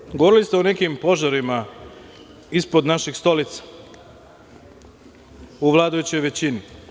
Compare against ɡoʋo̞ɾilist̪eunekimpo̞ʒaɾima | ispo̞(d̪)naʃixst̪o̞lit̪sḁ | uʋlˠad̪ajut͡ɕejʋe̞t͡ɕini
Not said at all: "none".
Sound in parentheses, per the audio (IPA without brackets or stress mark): d̪